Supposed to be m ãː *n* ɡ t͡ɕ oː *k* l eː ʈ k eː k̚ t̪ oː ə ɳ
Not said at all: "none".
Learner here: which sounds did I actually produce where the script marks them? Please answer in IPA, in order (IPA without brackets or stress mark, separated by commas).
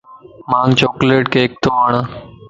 ŋ, k